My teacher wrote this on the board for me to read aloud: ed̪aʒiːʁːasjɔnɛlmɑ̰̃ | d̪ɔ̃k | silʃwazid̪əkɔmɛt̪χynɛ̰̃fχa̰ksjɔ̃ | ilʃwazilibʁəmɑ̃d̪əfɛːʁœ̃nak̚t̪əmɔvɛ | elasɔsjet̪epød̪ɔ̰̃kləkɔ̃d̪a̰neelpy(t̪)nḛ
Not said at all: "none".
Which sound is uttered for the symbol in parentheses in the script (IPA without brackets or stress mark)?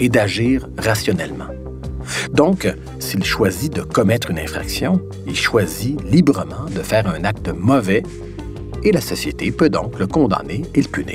none